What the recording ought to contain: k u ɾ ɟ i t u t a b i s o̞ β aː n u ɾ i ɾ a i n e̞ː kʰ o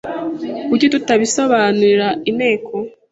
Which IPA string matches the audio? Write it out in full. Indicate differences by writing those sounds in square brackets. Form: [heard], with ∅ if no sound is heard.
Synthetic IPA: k u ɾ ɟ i t u t a [β] i s o̞ β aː n u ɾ i ɾ a i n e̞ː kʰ o